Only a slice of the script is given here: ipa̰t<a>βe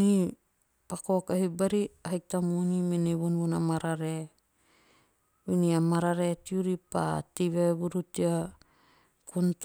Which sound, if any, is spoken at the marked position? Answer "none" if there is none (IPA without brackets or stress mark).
i